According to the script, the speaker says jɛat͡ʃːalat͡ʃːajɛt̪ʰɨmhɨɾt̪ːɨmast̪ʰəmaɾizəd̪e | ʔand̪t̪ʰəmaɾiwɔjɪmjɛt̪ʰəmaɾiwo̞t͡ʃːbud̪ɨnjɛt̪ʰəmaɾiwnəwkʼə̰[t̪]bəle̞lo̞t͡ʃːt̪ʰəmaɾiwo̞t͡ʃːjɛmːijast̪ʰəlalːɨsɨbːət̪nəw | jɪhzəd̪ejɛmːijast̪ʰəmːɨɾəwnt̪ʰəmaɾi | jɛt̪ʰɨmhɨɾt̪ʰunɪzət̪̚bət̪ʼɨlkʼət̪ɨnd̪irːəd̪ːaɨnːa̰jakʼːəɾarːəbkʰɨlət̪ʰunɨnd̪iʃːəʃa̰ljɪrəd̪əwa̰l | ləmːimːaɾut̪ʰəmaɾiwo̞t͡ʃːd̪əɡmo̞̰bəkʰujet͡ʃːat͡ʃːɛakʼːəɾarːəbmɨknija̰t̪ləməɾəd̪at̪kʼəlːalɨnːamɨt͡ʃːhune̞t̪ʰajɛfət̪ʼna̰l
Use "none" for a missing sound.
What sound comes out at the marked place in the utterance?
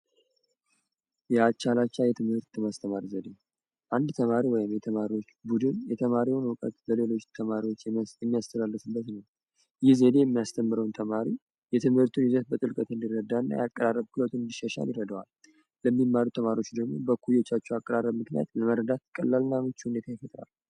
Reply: t̪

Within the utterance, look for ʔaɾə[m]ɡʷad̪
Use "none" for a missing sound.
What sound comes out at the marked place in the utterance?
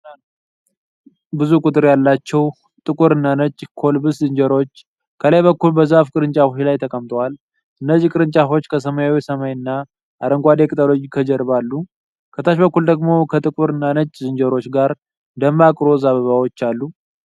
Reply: ŋ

